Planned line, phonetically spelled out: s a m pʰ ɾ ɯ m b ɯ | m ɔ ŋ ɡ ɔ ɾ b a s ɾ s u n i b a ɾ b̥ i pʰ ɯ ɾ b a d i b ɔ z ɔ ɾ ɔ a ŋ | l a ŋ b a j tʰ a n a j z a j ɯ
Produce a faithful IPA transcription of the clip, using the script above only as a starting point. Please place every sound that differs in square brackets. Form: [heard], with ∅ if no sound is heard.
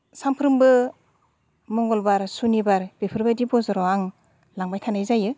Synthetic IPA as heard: s a m pʰ ɾ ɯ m b ɯ | m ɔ ŋ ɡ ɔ [l] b a [∅] ɾ s u n i b a ɾ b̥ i pʰ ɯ ɾ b a d i b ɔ z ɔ ɾ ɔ a ŋ | l a ŋ b a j tʰ a n a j z a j ɯ